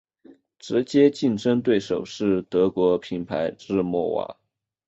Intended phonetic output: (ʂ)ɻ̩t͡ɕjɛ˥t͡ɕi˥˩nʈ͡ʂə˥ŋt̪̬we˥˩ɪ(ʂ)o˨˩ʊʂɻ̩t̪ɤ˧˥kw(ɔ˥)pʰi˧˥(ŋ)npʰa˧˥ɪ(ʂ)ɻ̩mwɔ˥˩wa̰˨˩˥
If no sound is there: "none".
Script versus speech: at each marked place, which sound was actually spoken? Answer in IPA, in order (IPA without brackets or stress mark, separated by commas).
ʈ͡ʂ, ʂ, ɔ˧˥, none, ʈ͡ʂ